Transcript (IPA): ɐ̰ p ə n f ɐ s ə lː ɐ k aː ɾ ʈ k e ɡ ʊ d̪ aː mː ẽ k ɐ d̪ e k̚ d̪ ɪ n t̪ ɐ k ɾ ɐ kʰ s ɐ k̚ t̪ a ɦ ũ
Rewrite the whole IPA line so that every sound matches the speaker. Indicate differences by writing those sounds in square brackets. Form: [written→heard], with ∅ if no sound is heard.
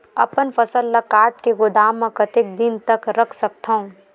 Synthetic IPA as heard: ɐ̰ p ə n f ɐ s ə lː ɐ k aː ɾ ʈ k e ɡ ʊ d̪ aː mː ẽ k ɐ [d̪→t̪] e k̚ d̪ ɪ n t̪ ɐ k ɾ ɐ kʰ s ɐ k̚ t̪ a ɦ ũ

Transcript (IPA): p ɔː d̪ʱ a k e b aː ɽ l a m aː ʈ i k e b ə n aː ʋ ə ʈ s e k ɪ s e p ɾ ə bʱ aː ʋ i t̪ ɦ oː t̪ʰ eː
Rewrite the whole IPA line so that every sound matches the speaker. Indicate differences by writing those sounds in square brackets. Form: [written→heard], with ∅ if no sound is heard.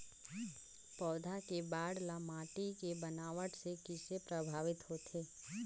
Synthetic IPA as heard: p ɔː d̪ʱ a k e b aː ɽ l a m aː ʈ i k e b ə n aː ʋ ə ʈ s e k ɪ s e p ɾ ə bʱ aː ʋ [i→ɪ] t̪ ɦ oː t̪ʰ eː

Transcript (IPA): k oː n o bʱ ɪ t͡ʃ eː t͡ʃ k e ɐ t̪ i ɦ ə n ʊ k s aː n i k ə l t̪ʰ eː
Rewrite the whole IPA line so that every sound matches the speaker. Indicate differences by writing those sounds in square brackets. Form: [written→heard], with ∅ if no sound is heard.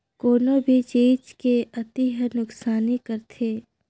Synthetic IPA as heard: k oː n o bʱ [ɪ→i] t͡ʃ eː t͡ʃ k e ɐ t̪ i ɦ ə n ʊ k s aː n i k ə [l→ɾ] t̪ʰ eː

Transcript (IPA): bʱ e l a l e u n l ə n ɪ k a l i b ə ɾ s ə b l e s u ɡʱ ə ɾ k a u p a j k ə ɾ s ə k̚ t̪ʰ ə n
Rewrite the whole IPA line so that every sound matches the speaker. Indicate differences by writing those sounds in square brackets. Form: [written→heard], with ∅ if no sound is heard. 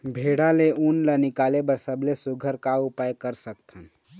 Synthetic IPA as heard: bʱ e [l→ɽ] a l e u n l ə n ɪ k a l [i→e] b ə ɾ s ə b l e s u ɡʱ ə ɾ k a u p a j k ə ɾ s ə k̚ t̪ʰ ə n

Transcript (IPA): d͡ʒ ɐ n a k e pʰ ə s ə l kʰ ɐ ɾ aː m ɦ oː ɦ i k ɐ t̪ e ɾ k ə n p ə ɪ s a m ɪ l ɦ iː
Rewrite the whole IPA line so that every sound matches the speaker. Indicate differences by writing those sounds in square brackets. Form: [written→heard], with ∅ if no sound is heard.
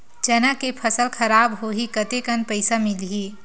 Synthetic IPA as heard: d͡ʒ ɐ n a k e pʰ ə s ə l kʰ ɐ ɾ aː [m→b] ɦ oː ɦ i k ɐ t̪ e [ɾ→∅] k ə n p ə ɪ s a m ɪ l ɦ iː

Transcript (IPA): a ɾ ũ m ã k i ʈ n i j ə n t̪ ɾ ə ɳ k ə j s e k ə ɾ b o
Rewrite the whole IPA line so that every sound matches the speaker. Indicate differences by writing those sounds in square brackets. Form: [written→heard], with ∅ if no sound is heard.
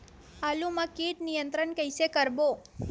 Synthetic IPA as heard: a [ɾ→l] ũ m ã k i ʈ n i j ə n t̪ ɾ ə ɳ k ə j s e k ə ɾ b o

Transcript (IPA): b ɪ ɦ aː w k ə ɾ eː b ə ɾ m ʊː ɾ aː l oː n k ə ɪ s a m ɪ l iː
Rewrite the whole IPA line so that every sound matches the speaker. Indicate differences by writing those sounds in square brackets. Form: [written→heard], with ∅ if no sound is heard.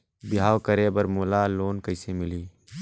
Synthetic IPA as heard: b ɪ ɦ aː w k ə ɾ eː b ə ɾ m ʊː [ɾ→l] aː l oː n k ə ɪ s [a→e] m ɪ l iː

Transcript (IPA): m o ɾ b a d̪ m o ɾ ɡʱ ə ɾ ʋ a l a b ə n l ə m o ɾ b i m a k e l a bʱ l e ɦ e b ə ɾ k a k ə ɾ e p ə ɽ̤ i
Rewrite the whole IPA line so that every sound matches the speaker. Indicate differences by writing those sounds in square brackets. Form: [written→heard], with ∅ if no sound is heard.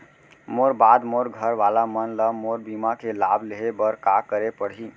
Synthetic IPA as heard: m o ɾ b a d̪ m o ɾ ɡʱ ə ɾ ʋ a l a [b→m] ə n l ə m o ɾ b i m a k e l a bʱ l e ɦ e b ə ɾ k a k ə ɾ e p ə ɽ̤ i

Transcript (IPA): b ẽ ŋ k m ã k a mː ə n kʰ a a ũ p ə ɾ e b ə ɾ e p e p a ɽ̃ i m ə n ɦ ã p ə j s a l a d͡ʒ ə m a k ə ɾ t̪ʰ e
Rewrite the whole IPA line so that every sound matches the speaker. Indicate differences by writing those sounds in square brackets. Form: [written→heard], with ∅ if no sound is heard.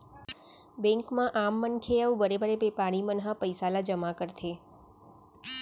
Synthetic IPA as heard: b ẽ ŋ k m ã [k→ʔ] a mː ə n kʰ [a→e] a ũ [p→b] ə ɾ e b ə ɾ e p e p a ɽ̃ i m ə n ɦ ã p ə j s a l a d͡ʒ ə m a k ə ɾ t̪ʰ e

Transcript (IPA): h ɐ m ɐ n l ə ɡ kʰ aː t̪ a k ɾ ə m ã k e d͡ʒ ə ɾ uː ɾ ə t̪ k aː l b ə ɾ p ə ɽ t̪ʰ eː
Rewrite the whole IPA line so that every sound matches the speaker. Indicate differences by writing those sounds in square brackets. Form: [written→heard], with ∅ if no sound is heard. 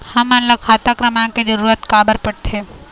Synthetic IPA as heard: h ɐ m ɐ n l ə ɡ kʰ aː t̪ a k ɾ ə m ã k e d͡ʒ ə ɾ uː ɾ ə t̪ k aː [l→∅] b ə ɾ p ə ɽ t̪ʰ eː

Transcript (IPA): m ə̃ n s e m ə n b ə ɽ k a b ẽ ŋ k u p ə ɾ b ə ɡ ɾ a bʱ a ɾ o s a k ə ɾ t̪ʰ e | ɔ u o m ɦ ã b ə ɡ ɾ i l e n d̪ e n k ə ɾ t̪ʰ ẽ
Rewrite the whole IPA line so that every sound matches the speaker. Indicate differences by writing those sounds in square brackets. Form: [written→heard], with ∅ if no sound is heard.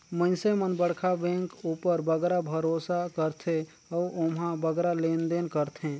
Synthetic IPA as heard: m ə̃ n s e m ə n b ə ɽ [k→kʰ] a b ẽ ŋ k u p ə ɾ b ə ɡ ɾ a bʱ [a→ə] ɾ o s a k ə ɾ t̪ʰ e | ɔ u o m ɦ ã b ə ɡ ɾ [i→a] l e n d̪ e n k ə ɾ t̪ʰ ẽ

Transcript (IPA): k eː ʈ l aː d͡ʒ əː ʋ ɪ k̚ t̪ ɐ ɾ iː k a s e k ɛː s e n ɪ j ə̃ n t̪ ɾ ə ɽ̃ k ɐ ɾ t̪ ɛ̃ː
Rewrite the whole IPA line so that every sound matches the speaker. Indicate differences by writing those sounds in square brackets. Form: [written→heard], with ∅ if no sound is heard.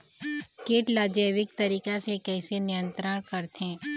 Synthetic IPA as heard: k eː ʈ l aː d͡ʒ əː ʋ ɪ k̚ t̪ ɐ ɾ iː k a s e k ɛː s e n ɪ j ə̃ n t̪ ɾ ə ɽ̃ k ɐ ɾ t̪ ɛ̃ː

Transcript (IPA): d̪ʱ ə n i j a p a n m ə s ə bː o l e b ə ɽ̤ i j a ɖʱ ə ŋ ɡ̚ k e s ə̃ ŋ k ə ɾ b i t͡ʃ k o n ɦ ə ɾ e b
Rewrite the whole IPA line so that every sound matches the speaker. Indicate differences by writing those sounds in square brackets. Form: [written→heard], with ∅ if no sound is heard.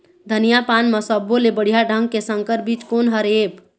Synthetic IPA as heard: d̪ʱ ə n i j a p a n m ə s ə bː o l e b ə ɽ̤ i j a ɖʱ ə ŋ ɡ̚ k e s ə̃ ŋ k ə ɾ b i t͡ʃ k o n ɦ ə ɾ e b

